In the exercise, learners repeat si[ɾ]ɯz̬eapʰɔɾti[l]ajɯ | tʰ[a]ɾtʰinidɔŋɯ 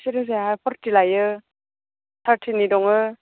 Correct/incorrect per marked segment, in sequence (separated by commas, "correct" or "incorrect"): correct, correct, correct